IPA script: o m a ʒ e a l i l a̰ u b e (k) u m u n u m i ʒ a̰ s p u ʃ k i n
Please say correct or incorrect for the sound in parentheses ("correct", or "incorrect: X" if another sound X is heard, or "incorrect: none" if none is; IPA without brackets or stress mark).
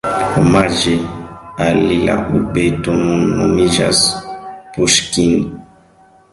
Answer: incorrect: t